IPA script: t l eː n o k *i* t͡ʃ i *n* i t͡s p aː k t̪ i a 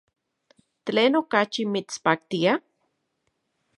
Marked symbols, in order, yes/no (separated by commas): no, no